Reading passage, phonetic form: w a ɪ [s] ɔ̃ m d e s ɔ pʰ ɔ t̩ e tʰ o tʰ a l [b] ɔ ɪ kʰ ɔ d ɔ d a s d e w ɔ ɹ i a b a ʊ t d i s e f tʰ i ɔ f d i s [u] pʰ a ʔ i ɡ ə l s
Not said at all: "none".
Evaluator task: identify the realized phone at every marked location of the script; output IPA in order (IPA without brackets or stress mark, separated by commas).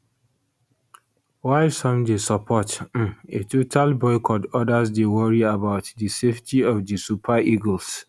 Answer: s, b, u